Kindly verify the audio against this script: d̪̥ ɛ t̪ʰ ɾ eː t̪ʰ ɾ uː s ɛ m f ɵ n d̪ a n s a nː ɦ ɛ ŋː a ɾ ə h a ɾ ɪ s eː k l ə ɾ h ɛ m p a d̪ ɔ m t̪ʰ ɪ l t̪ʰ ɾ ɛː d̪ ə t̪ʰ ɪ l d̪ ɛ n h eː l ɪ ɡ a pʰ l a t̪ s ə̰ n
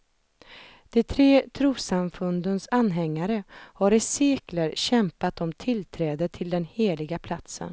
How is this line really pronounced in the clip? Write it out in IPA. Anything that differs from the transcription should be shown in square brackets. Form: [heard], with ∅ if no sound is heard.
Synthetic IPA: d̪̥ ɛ t̪ʰ ɾ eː t̪ʰ ɾ uː s [a] m f ɵ n d̪ [ə] n s a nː ɦ ɛ ŋː a ɾ ə h a ɾ ɪ s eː k l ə ɾ [ɕ] ɛ m p a [t̪] ɔ m t̪ʰ ɪ l t̪ʰ ɾ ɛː d̪ ə t̪ʰ ɪ l d̪ ɛ n h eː l ɪ ɡ a pʰ l a t̪ s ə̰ n